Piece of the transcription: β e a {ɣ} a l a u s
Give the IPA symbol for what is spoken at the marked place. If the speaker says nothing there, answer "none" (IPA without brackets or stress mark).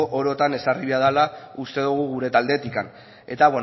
ð